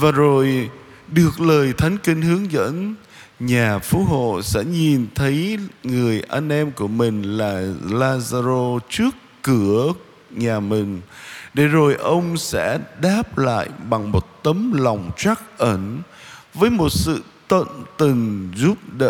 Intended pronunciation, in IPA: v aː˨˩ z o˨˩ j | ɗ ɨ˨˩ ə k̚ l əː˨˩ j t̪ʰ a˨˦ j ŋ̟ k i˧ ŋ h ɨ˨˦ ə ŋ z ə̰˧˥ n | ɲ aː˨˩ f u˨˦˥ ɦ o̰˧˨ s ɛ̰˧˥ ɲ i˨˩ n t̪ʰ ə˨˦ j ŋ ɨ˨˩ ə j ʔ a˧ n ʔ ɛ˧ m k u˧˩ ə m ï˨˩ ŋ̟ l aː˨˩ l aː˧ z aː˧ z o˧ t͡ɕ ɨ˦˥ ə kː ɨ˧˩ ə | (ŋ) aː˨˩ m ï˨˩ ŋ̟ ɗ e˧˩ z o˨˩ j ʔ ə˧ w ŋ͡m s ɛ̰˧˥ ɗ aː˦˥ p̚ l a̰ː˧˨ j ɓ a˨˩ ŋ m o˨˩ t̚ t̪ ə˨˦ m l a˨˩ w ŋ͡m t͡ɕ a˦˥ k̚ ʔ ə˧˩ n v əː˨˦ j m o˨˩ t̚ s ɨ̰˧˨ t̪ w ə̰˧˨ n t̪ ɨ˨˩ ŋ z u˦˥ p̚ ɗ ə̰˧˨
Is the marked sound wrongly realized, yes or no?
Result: yes